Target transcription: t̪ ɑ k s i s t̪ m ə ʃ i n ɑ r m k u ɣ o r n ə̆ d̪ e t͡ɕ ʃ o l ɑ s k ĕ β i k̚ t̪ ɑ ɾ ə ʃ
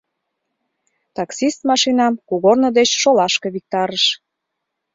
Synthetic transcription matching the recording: t̪ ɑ k s i s t̪ m ɑ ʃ i n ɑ m k u ɣ o r n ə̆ d̪ e t͡ɕ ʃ o l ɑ ʃ k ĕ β i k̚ t̪ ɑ ɾ ə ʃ

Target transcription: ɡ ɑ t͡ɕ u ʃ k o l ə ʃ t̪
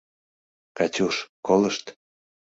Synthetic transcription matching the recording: k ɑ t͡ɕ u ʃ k o l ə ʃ t̪

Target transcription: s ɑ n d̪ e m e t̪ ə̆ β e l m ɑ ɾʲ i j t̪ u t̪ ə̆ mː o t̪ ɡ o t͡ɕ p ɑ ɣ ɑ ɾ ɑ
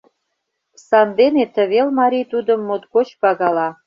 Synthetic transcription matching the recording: s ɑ n d̪ e n e t̪ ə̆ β e l m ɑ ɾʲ i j t̪ u d̪ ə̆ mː o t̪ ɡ o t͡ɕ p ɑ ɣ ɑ l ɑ

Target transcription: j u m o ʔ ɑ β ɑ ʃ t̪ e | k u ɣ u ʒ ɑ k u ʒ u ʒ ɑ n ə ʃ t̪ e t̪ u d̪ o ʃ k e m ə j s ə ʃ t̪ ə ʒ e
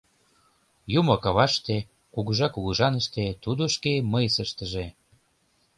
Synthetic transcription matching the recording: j u m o k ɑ β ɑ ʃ t̪ e | k u ɣ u ʒ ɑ k u ɣ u ʒ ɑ n ə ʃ t̪ e t̪ u d̪ o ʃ k e m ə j s ə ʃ t̪ ə ʒ e

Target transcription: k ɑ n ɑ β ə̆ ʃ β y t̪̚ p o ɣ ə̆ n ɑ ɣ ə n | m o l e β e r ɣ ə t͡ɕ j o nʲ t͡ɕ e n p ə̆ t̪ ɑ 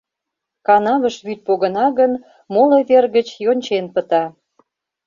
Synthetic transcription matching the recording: k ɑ n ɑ β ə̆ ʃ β y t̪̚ p o ɣ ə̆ n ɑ ɣ ə n | m o l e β e r ɣ ə t͡ɕ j o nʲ t͡ɕ e n p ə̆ t̪ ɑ

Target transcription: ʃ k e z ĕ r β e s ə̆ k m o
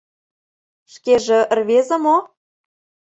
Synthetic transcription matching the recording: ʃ k e ʒ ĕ r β e z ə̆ m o

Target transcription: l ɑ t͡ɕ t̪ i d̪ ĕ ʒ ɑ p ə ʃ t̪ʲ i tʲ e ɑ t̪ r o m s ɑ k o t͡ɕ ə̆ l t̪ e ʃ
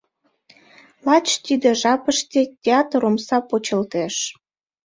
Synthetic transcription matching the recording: l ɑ t͡ɕ t̪ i d̪ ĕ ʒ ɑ p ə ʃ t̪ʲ e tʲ e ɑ t̪ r o m s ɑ p o t͡ɕ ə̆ l t̪ e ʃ

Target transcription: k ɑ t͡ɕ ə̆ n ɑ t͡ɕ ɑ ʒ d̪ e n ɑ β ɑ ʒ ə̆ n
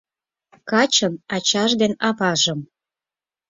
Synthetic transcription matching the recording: k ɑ t͡ɕ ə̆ n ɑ t͡ɕ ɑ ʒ d̪ e n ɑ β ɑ ʒ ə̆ m

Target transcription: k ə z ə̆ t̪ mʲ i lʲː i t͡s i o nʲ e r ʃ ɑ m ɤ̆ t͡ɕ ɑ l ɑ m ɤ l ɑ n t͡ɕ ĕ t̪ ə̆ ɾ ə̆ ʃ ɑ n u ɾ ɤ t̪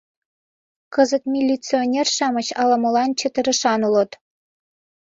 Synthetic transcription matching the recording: k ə z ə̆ t̪ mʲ i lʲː i t͡s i o nʲ e r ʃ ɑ m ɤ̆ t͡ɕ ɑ l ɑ m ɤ l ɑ n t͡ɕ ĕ t̪ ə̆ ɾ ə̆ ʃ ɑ n u l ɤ t̪

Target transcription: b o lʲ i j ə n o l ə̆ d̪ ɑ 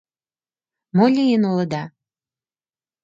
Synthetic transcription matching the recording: m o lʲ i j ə n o l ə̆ d̪ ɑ

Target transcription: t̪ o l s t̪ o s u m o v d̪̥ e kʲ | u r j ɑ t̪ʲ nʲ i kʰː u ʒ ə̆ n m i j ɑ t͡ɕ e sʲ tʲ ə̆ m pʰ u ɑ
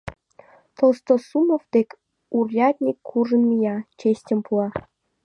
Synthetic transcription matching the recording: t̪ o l s t̪ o s u m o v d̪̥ e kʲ | u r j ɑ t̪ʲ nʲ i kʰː u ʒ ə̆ n m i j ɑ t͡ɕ e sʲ tʲ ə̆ m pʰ u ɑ

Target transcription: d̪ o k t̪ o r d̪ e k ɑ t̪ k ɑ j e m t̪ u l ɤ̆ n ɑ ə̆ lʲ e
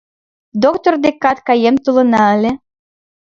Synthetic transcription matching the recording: d̪ o k t̪ o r d̪ e k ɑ t̪ k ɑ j e m t̪ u l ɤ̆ n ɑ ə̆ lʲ e

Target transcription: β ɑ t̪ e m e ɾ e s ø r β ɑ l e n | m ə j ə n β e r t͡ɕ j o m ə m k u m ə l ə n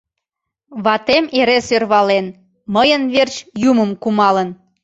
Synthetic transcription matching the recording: β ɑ t̪ e m e ɾ e s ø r β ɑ l e n | m ə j ə n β e r t͡ɕ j u m ə m k u m ɑ l ə n

